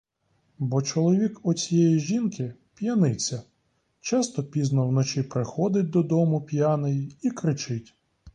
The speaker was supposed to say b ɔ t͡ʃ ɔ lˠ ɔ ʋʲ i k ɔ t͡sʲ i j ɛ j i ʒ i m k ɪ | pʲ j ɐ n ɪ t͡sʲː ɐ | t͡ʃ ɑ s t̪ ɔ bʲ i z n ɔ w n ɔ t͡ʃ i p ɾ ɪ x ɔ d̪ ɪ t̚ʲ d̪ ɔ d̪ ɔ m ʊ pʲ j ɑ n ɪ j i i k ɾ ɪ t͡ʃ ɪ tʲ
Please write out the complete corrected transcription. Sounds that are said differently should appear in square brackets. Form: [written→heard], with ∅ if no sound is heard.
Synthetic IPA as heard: b ɔ t͡ʃ ɔ lˠ ɔ ʋʲ i k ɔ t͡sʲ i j ɛ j i ʒ i [m→n] k ɪ | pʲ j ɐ n ɪ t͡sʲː ɐ | t͡ʃ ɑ s t̪ ɔ [bʲ→pʲ] i z n ɔ w n ɔ t͡ʃ i p ɾ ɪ x ɔ d̪ ɪ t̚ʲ d̪ ɔ d̪ ɔ m ʊ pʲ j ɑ n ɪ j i i k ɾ ɪ t͡ʃ ɪ tʲ